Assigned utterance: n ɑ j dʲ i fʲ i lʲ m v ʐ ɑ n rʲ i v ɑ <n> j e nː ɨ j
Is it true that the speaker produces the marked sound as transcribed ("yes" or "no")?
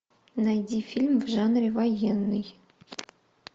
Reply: no